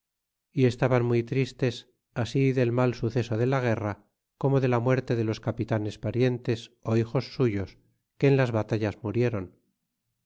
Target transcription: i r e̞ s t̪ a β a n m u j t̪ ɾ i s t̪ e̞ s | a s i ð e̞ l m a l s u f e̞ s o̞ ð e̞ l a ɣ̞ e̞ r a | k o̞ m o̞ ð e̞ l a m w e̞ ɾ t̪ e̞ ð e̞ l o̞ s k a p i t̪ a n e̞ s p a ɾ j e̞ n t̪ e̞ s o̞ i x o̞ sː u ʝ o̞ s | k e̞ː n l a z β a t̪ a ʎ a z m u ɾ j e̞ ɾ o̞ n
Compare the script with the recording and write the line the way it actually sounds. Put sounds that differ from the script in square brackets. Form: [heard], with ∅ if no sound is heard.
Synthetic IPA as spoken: i [∅] e̞ s t̪ a β a n m u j t̪ ɾ i s t̪ e̞ s | a s i ð e̞ l m a l s u [θ] e̞ s o̞ ð e̞ l a ɣ̞ e̞ r a | k o̞ m o̞ ð e̞ l a m w e̞ ɾ t̪ e̞ ð e̞ l o̞ s k a p i t̪ a n e̞ s p a ɾ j e̞ n t̪ e̞ s o̞ i x o̞ sː u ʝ o̞ s | k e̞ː n l a z β a t̪ a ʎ a z m u ɾ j e̞ ɾ o̞ n